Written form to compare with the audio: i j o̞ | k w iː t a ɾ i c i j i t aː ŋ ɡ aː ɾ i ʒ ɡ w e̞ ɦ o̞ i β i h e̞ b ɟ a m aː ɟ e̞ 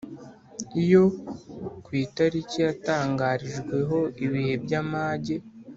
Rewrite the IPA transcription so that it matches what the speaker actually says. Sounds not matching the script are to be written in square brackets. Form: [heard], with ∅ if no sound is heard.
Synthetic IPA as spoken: i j o̞ | k w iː t a ɾ i c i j [a] t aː ŋ ɡ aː ɾ i ʒ ɡ w e̞ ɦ o̞ i β i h e̞ b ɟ a m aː ɟ e̞